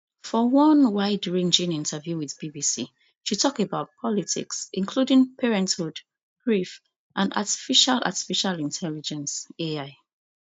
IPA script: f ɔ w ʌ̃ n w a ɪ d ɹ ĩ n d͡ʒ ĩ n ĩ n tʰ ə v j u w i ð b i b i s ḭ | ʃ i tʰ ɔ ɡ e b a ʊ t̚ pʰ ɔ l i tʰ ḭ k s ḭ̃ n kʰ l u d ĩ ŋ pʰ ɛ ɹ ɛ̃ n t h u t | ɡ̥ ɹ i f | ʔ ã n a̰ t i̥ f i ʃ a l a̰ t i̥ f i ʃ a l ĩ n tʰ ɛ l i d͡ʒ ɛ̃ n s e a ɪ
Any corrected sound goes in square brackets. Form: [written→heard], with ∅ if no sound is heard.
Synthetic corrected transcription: f ɔ w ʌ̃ n w a ɪ d ɹ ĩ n d͡ʒ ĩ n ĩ n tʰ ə v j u w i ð b i b i s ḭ | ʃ i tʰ ɔ [ɡ→k] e b a ʊ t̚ pʰ ɔ l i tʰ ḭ k s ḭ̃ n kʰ l u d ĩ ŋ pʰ ɛ ɹ ɛ̃ n t h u [t→d] | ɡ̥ ɹ i f | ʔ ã n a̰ t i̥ f i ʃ a l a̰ t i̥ f i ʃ a l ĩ n tʰ ɛ l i d͡ʒ ɛ̃ n s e a ɪ